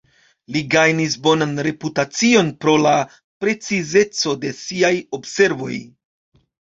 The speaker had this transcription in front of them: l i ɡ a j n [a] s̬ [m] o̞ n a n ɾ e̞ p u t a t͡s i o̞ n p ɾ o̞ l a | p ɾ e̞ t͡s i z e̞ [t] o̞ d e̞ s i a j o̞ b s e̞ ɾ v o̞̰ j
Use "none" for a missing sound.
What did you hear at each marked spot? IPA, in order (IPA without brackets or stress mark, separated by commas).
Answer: i, b, t͡s